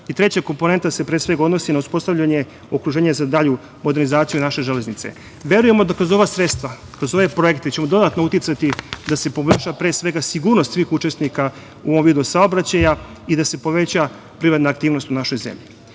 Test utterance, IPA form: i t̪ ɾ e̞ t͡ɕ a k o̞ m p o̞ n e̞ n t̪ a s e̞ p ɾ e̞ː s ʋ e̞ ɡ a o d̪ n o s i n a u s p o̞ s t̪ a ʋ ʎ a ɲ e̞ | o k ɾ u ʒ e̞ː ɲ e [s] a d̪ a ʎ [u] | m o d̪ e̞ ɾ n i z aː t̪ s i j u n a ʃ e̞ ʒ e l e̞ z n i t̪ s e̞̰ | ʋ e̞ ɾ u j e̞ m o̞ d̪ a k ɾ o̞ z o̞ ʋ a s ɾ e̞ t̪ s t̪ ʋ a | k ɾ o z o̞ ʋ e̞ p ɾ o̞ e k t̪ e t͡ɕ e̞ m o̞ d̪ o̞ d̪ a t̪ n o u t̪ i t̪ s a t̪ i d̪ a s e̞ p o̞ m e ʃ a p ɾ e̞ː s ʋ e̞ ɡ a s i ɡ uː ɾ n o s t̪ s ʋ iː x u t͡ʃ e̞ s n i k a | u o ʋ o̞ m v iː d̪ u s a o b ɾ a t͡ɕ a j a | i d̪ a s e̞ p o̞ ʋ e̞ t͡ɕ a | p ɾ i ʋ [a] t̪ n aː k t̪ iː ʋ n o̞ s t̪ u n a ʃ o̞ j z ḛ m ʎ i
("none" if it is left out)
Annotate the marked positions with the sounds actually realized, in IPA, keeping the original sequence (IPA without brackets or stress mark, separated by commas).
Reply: z, u, a